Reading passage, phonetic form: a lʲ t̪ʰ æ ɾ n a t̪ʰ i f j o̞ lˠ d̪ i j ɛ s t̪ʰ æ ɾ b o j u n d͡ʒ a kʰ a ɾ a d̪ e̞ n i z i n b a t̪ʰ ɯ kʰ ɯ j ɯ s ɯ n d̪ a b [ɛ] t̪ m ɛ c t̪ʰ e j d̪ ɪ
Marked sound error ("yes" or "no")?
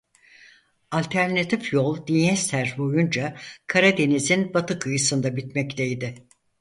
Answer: yes